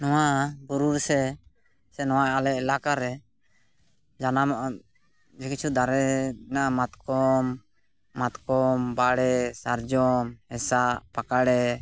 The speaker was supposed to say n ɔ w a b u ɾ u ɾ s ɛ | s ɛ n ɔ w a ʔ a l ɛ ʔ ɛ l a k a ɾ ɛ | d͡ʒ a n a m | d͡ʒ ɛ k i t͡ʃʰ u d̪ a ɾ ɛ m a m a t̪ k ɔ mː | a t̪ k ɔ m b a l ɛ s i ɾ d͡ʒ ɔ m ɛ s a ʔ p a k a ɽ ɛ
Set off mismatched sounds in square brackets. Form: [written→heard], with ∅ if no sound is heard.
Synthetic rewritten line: n ɔ w a b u ɾ u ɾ s ɛ | s ɛ n ɔ w a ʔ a l ɛ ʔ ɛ l a k a ɾ ɛ | d͡ʒ a n a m | d͡ʒ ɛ k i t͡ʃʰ u d̪ a ɾ ɛ [m→n] a m a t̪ k ɔ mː | a t̪ k ɔ m b a [l→ɽ] ɛ s [i→a] ɾ d͡ʒ ɔ m ɛ s a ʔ p a k a ɽ ɛ